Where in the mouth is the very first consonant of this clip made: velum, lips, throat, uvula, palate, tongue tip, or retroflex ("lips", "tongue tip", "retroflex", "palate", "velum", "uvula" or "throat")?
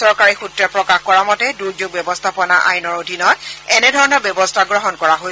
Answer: tongue tip